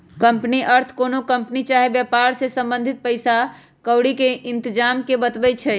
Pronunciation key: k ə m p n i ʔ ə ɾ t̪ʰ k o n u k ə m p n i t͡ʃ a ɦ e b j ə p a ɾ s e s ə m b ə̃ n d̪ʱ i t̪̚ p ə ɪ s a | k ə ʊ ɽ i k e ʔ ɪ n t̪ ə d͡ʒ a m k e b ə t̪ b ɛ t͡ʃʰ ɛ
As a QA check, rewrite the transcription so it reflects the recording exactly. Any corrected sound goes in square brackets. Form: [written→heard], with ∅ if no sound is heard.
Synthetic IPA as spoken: k ə m p n i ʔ ə ɾ t̪ʰ k o n [u→o] k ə m p n i t͡ʃ a ɦ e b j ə p a ɾ s e s ə m b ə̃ n d̪ʱ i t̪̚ p ə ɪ s a | k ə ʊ ɽ i k e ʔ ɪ n t̪ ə d͡ʒ a m k e b ə t̪ b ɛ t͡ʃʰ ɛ

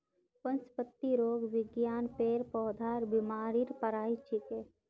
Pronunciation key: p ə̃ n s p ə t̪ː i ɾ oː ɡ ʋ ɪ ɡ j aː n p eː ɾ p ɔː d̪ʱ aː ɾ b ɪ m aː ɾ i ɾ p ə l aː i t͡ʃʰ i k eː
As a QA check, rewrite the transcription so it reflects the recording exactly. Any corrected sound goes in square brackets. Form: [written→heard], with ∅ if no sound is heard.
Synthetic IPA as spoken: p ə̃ n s p ə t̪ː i ɾ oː ɡ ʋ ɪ ɡ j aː n p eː ɾ p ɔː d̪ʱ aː ɾ b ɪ m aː ɾ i ɾ p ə [l→ɾ] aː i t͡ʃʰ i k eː

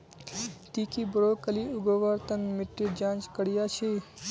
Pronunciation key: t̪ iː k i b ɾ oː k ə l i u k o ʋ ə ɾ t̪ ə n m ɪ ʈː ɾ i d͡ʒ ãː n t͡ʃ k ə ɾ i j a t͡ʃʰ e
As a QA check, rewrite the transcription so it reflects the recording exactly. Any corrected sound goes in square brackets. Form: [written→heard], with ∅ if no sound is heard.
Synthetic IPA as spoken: t̪ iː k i b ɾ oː k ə l i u [k→ɡ] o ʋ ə ɾ t̪ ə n m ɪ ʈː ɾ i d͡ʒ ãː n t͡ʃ k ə [ɾ→ɽ] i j a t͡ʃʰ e

